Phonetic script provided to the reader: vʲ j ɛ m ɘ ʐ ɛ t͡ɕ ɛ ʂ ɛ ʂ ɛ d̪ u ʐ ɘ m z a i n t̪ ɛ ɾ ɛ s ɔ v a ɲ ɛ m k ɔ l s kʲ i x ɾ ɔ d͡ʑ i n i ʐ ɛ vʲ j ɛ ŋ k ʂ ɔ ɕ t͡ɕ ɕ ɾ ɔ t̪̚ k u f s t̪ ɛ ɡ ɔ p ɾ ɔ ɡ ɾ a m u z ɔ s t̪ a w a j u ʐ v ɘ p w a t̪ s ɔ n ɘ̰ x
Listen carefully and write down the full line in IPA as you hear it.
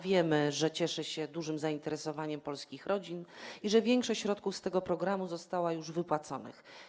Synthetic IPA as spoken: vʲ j ɛ m ɘ ʐ ɛ t͡ɕ ɛ ʂ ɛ ɕ ɛ d̪ u ʐ ɘ m z a i n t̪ ɛ ɾ ɛ s ɔ v a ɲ ɛ m p ɔ l s kʲ i x ɾ ɔ d͡ʑ i n i ʐ ɛ vʲ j ɛ ŋ k ʂ ɔ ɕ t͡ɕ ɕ ɾ ɔ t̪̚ k u f s t̪ ɛ ɡ ɔ p ɾ ɔ ɡ ɾ a m u z ɔ s t̪ a w a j u ʐ v ɘ p w a t̪ s ɔ n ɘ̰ x

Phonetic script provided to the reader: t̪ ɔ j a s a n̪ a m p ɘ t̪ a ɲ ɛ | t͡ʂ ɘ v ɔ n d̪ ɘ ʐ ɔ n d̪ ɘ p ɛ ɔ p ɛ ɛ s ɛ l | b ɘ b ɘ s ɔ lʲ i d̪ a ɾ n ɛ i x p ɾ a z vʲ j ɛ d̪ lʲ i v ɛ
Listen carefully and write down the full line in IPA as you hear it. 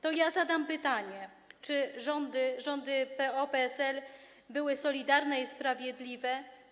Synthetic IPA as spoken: t̪ ɔ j a z a d̪ a m p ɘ t̪ a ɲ ɛ | t͡ʂ ɘ ʐ ɔ n d̪ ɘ ʐ ɔ n d̪ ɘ p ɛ ɔ p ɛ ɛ s ɛ l | b ɘ w ɘ s ɔ lʲ i d̪ a ɾ n ɛ i s p ɾ a vʲ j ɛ d̪ lʲ i v ɛ

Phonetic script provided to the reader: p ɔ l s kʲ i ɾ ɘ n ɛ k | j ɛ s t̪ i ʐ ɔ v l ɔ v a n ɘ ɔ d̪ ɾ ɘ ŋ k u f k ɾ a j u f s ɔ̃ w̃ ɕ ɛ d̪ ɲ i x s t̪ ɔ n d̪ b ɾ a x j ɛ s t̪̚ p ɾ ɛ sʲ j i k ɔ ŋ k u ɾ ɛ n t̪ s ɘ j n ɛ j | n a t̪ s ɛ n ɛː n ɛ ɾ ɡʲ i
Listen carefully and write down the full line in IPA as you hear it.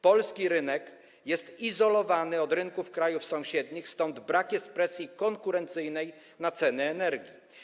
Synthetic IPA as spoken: p ɔ l s kʲ i ɾ ɘ n ɛ k | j ɛ s t̪ i z ɔ l ɔ v a n ɘ ɔ d̪ ɾ ɘ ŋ k u f k ɾ a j u f s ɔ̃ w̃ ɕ ɛ d̪ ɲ i x s t̪ ɔ n d̪ b ɾ a k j ɛ s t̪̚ p ɾ ɛ sʲ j i k ɔ ŋ k u ɾ ɛ n t̪ s ɘ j n ɛ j | n a t̪ s ɛ n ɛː n ɛ ɾ ɡʲ i

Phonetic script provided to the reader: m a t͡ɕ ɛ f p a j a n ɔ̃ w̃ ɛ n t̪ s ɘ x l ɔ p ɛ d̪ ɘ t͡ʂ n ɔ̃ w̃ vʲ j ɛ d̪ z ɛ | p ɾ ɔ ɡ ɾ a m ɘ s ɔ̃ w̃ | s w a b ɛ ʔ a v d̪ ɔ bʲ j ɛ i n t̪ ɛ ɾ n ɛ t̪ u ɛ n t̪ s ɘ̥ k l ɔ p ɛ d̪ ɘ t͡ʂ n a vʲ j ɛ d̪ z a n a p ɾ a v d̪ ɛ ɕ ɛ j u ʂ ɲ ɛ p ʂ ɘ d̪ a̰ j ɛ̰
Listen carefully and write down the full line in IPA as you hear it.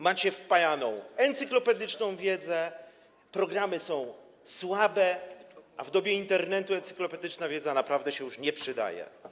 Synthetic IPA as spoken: m a t͡ɕ ɛ f p a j a n ɔ̃ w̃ ɛ n t̪ s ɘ k l ɔ p ɛ d̪ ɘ t͡ʂ n ɔ̃ w̃ vʲ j ɛ d̪ z ɛ | p ɾ ɔ ɡ ɾ a m ɘ s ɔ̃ w̃ | s w a b ɛ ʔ a v d̪ ɔ bʲ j ɛ i n t̪ ɛ ɾ n ɛ t̪ u ɛ n t̪ s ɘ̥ k l ɔ p ɛ d̪ ɘ t͡ʂ n a vʲ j ɛ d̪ z a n a p ɾ a v d̪ ɛ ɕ ɛ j u ʂ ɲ ɛ p ʂ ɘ d̪ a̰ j ɛ̰

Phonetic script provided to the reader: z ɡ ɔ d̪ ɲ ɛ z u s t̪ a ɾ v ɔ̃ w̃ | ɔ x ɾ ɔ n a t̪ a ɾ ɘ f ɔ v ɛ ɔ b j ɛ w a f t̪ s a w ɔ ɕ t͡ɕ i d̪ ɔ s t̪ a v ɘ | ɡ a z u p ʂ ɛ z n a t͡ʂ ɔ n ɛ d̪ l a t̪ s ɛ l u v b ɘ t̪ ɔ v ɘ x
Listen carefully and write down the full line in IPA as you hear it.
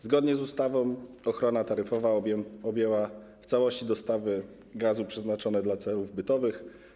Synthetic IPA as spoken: z ɡ ɔ d̪ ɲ ɛ z u s t̪ a v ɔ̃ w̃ | ɔ x ɾ ɔ n a t̪ a ɾ ɘ f ɔ v a ɔ b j ɛ w a f t̪ s a w ɔ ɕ t͡ɕ i d̪ ɔ s t̪ a v ɘ | ɡ a z u p ʂ ɛ z n a t͡ʂ ɔ n ɛ d̪ l a t̪ s ɛ l u v b ɘ t̪ ɔ v ɘ x

